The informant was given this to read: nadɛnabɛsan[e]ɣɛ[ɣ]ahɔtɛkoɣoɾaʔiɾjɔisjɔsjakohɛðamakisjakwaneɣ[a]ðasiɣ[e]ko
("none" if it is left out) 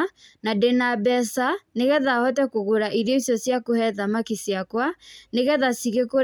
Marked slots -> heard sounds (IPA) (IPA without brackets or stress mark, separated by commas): e, ð, ɛ, e